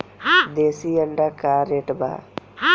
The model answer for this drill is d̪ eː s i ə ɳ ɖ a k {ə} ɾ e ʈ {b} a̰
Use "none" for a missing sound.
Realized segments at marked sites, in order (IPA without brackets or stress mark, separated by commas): a, b